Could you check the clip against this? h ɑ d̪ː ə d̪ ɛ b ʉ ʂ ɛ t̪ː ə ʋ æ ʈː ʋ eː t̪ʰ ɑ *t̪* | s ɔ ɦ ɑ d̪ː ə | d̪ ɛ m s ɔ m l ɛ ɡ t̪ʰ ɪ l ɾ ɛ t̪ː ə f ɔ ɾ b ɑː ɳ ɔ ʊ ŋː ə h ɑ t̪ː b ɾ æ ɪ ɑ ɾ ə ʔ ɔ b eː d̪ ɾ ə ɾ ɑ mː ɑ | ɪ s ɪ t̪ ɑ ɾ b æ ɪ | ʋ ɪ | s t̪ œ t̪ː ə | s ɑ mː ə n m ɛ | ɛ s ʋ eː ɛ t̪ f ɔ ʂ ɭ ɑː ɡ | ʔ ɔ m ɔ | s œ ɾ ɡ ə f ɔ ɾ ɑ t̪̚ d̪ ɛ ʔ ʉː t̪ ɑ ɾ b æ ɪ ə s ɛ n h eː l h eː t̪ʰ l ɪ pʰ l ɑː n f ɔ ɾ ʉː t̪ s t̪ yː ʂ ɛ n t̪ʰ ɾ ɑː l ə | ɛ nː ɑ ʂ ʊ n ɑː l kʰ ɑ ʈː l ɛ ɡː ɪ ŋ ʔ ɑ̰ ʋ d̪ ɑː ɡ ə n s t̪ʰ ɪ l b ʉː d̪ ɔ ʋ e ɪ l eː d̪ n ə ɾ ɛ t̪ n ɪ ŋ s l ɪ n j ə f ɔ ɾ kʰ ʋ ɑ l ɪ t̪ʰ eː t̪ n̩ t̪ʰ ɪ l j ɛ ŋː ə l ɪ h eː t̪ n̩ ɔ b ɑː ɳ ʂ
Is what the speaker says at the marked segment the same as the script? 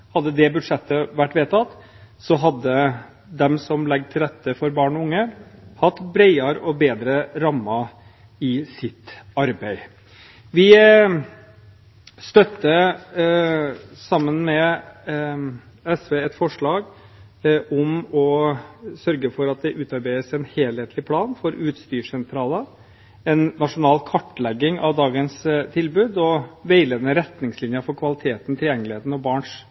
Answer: yes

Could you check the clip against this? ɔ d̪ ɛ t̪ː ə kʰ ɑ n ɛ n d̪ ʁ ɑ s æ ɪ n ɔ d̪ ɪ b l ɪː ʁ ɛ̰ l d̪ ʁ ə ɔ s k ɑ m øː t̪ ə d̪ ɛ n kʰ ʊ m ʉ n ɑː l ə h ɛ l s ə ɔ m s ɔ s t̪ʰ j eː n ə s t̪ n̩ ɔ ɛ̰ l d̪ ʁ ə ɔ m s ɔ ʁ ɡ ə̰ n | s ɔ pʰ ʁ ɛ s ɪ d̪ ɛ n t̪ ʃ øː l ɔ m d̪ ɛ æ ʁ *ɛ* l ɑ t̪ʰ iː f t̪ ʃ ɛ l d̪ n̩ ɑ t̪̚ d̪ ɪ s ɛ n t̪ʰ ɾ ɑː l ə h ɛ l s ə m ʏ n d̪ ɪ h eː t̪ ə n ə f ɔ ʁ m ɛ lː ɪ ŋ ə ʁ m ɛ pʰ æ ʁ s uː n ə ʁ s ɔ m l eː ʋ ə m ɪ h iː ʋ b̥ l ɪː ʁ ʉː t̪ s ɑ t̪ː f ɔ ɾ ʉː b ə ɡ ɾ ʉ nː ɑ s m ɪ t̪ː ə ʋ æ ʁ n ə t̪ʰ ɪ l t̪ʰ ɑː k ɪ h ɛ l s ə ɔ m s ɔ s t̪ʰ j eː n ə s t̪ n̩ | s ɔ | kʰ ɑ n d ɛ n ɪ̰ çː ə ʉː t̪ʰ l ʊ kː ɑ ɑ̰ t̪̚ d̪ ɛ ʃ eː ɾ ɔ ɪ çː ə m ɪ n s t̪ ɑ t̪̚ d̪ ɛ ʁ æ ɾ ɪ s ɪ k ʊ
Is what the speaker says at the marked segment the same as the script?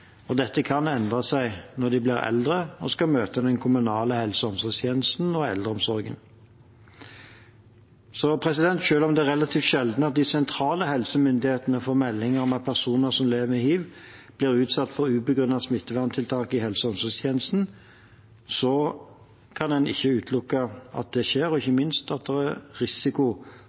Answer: yes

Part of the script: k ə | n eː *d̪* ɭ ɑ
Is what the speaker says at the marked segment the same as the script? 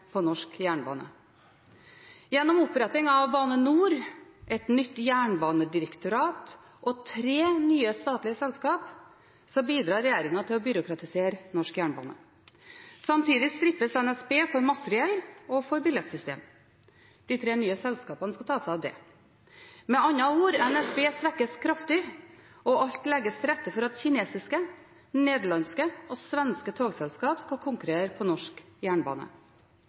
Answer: yes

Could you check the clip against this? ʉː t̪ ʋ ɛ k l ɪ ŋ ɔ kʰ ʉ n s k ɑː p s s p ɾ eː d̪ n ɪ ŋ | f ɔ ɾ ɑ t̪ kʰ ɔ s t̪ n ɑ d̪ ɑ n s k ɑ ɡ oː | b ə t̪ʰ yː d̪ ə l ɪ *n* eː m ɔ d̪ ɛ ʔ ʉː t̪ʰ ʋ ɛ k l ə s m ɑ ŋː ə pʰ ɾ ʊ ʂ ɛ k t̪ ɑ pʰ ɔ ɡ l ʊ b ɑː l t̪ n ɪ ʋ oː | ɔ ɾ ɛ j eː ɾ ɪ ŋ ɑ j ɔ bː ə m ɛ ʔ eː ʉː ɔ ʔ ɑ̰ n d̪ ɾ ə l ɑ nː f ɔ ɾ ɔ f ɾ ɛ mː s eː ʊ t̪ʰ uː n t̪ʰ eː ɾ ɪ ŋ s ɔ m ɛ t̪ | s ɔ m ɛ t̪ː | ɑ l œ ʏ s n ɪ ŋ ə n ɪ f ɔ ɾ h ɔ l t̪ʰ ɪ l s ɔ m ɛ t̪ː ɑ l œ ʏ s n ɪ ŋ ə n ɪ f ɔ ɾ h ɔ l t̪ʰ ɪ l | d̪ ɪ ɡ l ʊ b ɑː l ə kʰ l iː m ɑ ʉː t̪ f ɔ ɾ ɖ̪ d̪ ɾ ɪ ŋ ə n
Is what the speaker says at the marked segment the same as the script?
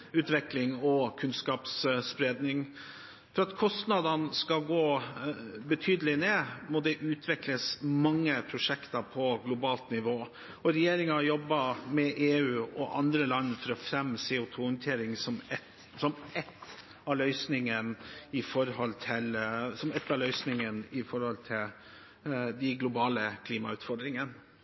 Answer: yes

